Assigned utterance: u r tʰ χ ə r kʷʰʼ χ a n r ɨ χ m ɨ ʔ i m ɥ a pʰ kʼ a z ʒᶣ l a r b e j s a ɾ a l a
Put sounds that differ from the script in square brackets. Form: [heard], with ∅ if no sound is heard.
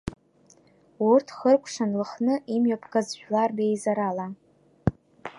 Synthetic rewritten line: u r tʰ χ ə r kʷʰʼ [ʂ] a n [l] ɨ χ [n] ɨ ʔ i m ɥ a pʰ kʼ a z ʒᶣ l a r b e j [z] a ɾ a l a